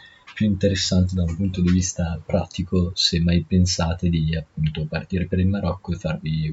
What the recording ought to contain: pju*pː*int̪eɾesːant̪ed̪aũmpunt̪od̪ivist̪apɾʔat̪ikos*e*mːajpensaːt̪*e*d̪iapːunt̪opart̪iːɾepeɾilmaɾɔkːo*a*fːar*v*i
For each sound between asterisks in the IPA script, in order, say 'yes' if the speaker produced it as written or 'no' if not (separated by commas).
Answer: no, yes, yes, no, yes